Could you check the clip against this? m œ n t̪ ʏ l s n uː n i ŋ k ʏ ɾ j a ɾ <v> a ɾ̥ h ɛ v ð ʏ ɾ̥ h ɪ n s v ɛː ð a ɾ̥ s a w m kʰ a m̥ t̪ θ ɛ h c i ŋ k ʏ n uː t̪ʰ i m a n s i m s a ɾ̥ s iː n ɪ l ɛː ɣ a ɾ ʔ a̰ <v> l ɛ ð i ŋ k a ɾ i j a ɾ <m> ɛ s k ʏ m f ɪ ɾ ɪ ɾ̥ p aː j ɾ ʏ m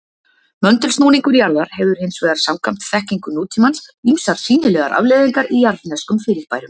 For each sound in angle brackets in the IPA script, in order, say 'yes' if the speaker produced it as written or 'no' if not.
no, yes, no

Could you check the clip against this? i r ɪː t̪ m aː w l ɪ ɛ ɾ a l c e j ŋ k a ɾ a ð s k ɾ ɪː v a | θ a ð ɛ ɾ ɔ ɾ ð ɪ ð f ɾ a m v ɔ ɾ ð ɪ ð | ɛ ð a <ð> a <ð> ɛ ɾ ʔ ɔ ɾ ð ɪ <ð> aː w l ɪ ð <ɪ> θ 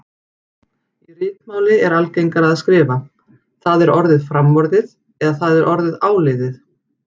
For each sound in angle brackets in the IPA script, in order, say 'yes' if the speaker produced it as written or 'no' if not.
no, yes, yes, yes

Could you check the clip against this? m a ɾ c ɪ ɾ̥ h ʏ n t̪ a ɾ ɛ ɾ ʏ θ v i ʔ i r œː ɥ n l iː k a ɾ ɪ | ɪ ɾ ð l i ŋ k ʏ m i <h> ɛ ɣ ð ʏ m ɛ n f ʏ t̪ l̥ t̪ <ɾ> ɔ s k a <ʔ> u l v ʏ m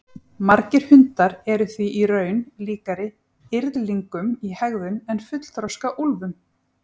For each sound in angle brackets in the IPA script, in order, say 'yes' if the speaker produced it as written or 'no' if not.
yes, yes, yes

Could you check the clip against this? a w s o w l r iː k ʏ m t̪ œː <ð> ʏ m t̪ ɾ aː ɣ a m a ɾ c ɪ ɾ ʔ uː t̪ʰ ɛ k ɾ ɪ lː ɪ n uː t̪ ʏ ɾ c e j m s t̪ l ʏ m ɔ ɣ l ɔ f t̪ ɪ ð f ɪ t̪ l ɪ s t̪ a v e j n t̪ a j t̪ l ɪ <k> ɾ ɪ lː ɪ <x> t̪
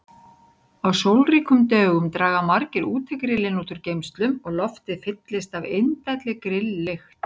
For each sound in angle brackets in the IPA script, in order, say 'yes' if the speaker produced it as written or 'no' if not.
no, yes, yes

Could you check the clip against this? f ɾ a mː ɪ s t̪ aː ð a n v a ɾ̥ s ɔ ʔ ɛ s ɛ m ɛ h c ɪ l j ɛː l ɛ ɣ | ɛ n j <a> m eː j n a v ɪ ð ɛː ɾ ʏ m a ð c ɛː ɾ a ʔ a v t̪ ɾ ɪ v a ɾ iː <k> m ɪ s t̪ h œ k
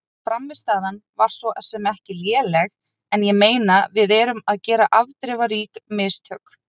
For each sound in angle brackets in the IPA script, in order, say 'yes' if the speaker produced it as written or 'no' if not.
no, yes

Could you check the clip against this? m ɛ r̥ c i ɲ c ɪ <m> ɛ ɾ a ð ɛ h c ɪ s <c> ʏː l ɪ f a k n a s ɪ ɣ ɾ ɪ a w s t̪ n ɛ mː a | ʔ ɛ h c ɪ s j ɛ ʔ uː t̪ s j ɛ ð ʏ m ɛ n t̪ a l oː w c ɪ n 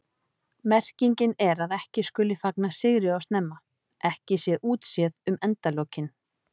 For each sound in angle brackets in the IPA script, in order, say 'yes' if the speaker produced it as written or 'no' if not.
no, no

